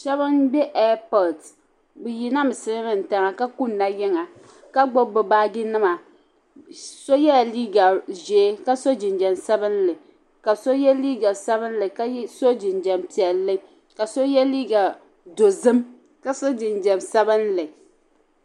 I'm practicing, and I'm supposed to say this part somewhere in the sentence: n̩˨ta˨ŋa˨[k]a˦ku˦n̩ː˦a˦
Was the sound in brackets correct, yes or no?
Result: yes